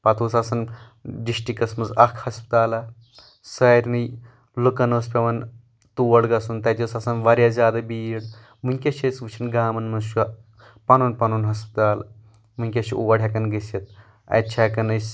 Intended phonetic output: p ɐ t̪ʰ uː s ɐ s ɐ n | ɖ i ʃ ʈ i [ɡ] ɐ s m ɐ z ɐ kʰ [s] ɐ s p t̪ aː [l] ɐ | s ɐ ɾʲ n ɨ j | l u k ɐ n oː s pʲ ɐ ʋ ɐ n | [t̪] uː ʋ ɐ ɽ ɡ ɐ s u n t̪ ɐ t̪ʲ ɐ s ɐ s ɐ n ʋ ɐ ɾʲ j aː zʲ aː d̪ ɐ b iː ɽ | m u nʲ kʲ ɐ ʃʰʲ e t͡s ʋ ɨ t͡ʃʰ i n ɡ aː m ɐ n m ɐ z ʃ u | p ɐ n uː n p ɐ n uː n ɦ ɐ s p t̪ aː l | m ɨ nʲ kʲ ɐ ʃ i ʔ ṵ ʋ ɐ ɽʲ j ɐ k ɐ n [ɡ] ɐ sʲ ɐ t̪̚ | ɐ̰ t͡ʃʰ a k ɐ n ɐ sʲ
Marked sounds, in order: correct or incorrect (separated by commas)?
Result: incorrect, incorrect, correct, correct, correct